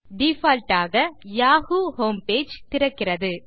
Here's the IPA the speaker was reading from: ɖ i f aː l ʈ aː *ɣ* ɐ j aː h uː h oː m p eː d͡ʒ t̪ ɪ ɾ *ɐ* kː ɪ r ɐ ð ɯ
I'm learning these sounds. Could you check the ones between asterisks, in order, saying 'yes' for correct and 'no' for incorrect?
yes, yes

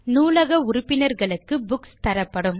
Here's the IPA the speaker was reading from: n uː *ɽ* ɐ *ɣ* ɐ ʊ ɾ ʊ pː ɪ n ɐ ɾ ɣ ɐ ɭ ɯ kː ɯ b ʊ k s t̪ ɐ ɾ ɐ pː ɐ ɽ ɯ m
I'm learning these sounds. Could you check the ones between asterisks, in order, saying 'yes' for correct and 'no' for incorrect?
no, yes

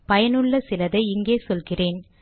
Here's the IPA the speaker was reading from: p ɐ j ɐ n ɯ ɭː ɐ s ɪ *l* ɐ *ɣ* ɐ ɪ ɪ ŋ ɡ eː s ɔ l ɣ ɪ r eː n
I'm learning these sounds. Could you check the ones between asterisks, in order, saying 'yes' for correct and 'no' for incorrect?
yes, no

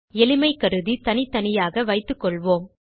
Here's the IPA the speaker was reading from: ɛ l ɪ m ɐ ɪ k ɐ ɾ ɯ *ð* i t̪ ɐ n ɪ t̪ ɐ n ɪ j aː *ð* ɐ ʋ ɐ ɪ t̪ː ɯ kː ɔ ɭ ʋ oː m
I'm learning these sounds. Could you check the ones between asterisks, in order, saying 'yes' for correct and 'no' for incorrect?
yes, no

